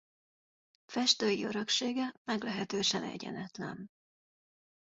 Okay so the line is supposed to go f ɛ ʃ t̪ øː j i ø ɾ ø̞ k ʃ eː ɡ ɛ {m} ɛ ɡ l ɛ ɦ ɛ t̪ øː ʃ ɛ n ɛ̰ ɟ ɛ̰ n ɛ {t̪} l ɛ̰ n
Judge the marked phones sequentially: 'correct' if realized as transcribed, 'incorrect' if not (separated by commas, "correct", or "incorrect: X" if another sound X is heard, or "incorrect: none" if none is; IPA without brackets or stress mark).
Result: correct, correct